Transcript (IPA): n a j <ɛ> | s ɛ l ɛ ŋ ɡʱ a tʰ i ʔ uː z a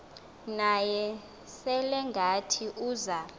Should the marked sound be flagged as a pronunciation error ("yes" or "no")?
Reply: no